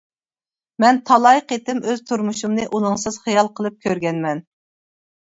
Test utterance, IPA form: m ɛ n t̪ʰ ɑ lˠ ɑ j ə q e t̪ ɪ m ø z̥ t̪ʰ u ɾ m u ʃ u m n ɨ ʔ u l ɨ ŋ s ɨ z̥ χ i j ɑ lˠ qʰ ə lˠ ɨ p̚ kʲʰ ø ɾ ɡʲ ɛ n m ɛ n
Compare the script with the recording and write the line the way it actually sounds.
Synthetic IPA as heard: m ɛ n t̪ʰ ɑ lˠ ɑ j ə q e t̪ ɪ m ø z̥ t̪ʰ u ɾ m u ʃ u m n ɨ ʔ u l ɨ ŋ s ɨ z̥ χ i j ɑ lˠ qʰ ə lˠ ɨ p̚ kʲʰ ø ɾ ɡʲ ɛ n m ɛ n

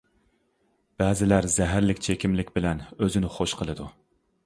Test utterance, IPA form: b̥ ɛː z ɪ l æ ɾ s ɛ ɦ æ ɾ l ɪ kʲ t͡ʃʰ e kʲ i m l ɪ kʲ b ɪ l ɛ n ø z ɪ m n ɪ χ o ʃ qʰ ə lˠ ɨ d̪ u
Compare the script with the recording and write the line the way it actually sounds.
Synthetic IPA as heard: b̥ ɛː z ɪ l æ ɾ z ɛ ɦ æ ɾ l ɪ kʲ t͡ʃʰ e kʲ i m l ɪ kʲ b ɪ l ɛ n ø z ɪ n ɪ χ o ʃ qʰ ə lˠ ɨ d̪ u

